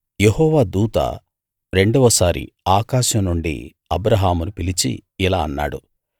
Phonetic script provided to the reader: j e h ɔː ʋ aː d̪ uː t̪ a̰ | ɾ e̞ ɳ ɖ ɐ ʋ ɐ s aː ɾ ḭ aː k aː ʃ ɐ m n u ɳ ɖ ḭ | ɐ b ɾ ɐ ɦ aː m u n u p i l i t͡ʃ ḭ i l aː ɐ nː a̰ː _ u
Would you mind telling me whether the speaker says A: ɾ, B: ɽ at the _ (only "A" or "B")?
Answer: B